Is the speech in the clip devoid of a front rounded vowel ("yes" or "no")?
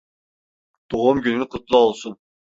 no